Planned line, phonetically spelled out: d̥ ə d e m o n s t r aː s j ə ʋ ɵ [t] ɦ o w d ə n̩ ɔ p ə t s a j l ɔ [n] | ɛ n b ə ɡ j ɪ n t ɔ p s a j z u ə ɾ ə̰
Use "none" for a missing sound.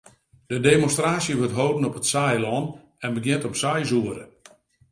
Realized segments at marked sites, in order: t, n

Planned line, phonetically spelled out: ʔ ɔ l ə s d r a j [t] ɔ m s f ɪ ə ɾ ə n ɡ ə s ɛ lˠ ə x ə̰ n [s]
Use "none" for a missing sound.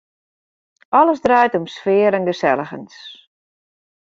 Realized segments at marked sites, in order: t, s

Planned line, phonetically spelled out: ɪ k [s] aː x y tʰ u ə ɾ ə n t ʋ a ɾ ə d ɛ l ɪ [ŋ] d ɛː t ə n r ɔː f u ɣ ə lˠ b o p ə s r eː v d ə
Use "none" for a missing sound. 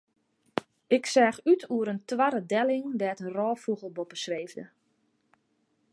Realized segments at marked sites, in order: s, ŋ

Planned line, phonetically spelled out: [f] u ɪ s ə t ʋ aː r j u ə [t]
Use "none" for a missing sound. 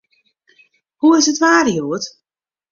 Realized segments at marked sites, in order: h, t

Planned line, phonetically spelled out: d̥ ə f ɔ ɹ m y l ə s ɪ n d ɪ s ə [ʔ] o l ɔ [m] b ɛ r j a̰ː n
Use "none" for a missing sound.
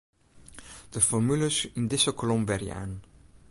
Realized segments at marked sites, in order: k, m

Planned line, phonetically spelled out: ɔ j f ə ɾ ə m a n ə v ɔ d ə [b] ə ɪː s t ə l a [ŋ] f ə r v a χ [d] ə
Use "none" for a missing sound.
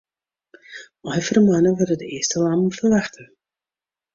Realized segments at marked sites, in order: d, m, t

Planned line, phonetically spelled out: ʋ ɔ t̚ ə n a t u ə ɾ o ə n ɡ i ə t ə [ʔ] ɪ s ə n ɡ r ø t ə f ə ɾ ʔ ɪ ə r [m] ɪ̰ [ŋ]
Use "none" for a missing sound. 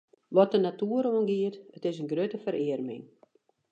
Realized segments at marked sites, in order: t, m, ŋ

